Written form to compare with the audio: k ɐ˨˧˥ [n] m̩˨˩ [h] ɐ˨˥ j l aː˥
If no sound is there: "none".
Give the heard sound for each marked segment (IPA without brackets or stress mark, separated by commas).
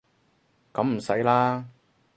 m, s